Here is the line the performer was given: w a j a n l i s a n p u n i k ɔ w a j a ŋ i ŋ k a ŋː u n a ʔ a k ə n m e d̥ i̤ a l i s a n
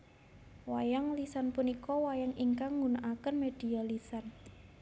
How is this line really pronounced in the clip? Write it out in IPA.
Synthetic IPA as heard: w a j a ŋ l i s a n p u n i k ɔ w a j a ŋ i ŋ k a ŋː u n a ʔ a k ə n m e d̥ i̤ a l i s a n